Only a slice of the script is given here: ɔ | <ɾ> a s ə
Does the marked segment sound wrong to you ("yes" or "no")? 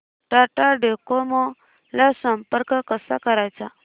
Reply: yes